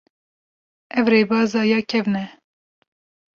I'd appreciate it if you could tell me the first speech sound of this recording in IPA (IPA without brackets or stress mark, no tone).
ɛ